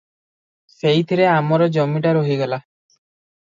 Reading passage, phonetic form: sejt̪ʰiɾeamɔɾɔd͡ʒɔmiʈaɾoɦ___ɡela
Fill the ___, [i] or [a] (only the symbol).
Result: i